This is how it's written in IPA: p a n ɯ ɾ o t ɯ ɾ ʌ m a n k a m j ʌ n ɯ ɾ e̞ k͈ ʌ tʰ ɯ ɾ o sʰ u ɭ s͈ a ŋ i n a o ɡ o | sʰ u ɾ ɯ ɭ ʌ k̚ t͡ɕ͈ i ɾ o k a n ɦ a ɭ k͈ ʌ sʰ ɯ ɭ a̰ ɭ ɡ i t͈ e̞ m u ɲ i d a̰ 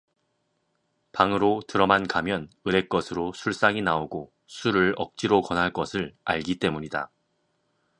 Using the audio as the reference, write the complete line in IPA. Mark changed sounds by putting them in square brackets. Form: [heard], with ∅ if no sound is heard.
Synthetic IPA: p a [ŋ] ɯ ɾ o t ɯ ɾ ʌ m a n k a m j ʌ n ɯ ɾ e̞ k͈ ʌ [sʰ] ɯ ɾ o sʰ u ɭ s͈ a ŋ i n a o ɡ o | sʰ u ɾ ɯ ɭ ʌ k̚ t͡ɕ͈ i ɾ o k [ʌ] n ɦ a ɭ k͈ ʌ sʰ ɯ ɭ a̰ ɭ ɡ i t͈ e̞ m u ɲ i d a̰